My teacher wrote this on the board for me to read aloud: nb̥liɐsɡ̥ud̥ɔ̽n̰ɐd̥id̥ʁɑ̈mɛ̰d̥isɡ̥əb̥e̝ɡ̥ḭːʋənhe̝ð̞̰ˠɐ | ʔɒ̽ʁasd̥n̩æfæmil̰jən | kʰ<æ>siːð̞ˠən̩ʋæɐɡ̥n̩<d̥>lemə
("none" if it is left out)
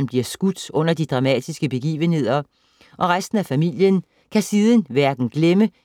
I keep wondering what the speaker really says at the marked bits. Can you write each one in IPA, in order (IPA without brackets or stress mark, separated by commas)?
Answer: æ, ɡ̥